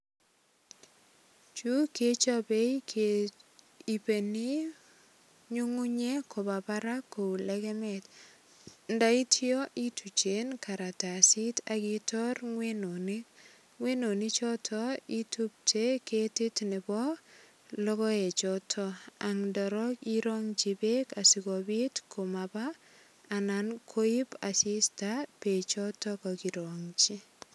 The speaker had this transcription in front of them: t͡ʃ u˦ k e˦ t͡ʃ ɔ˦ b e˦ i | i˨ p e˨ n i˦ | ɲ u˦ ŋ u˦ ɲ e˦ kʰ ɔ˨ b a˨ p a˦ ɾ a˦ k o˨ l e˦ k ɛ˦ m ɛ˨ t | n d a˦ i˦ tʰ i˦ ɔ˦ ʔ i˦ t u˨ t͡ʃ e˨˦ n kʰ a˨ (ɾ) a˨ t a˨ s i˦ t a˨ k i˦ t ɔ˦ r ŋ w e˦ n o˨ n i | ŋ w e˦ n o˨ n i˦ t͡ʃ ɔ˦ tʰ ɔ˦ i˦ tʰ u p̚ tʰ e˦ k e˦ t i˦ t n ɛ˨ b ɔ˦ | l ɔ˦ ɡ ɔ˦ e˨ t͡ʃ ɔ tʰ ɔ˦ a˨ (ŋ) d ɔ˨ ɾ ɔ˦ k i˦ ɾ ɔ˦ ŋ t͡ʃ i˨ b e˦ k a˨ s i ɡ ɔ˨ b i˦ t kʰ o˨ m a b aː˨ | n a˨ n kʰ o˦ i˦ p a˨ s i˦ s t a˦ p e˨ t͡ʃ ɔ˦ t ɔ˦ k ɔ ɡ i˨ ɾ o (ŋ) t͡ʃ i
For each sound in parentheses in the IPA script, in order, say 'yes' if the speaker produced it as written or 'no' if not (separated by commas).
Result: yes, yes, yes